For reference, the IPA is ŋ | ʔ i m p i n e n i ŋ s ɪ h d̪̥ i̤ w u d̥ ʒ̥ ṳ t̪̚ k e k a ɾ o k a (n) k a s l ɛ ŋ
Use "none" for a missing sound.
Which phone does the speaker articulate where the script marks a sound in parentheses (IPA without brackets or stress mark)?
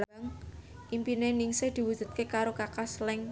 none